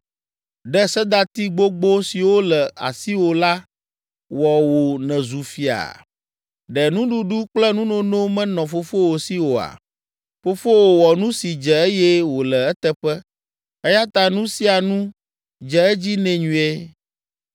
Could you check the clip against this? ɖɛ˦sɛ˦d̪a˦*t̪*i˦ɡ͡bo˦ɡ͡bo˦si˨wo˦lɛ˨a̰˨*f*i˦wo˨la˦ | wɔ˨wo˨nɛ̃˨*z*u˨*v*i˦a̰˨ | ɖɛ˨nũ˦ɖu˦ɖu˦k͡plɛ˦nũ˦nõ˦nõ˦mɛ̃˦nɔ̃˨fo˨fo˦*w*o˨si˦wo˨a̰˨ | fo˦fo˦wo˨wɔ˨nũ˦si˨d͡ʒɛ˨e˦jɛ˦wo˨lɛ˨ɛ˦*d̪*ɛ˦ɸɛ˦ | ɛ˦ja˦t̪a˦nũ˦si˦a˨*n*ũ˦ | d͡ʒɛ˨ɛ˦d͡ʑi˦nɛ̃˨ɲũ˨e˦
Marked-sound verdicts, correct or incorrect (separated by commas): correct, incorrect, correct, incorrect, correct, incorrect, correct